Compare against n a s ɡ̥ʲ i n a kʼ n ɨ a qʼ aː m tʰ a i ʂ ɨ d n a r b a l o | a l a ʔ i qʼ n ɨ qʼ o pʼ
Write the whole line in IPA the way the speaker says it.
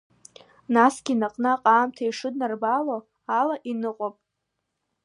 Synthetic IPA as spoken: n a s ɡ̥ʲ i n a qʼ n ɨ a qʼ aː m tʰ a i ʂ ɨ d n a r b a l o | a l a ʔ i n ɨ qʼ o pʼ